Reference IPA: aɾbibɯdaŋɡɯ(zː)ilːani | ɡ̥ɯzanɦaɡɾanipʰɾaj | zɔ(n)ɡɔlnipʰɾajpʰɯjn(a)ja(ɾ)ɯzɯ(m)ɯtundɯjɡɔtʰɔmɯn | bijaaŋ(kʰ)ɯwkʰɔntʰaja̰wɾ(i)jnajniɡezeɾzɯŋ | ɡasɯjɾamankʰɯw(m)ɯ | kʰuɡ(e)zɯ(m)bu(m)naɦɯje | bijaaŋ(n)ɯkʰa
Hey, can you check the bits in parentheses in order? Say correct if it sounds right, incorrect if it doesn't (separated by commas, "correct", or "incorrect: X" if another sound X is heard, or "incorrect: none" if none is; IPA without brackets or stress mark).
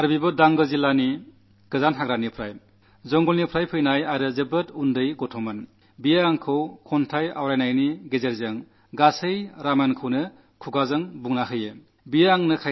incorrect: z, incorrect: ŋ, correct, correct, incorrect: b, correct, incorrect: a, incorrect: n, incorrect: a, incorrect: ŋ, incorrect: ŋ, correct